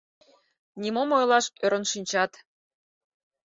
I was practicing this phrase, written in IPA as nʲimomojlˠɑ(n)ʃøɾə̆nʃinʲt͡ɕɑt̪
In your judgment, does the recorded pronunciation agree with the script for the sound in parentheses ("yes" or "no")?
no